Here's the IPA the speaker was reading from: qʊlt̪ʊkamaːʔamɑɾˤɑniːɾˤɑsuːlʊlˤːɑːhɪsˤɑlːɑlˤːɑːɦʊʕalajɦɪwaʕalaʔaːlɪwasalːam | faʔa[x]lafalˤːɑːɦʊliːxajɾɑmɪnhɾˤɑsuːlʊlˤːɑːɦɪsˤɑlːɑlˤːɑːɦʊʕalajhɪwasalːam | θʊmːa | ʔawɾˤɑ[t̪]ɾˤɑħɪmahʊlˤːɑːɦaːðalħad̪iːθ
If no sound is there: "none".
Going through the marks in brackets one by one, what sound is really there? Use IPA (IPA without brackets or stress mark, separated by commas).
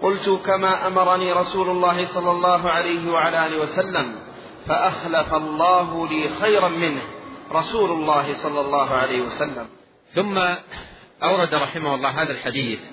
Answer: x, d̪